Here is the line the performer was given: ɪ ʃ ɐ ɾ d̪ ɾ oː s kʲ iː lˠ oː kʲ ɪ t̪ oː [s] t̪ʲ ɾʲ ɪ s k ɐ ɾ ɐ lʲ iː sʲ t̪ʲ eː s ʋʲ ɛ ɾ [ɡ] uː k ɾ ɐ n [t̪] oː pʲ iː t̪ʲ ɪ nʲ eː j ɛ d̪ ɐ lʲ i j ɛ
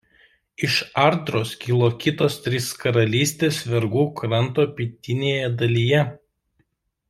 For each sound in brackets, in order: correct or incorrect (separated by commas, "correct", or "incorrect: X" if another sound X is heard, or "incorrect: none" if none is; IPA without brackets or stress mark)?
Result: correct, correct, correct